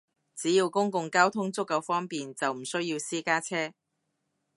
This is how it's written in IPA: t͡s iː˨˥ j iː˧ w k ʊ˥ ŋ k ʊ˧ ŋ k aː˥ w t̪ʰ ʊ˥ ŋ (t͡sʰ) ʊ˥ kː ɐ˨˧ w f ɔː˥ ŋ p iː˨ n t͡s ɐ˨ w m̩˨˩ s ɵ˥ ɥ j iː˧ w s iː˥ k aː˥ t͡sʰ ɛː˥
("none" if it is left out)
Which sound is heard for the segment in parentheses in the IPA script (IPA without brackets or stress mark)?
t͡s